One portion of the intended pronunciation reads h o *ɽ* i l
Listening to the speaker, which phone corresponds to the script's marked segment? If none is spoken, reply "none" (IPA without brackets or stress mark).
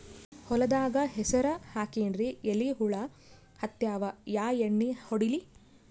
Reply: ɽ